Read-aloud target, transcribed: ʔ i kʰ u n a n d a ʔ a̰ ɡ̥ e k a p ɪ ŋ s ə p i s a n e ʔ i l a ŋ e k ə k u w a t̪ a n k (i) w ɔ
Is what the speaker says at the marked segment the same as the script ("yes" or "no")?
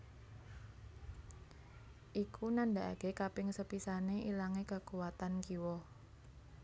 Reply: yes